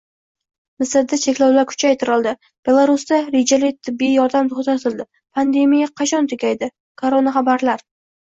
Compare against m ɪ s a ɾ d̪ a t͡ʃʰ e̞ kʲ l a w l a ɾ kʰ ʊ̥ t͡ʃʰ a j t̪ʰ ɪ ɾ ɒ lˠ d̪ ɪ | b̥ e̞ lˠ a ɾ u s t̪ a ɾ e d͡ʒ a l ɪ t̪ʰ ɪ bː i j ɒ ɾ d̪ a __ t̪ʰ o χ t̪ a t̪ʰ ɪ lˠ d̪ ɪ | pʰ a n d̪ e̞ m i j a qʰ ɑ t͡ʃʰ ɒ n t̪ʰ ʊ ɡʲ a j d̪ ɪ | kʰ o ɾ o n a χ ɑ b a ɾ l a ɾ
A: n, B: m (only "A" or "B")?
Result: B